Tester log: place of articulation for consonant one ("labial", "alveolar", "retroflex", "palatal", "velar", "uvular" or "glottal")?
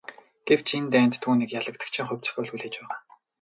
velar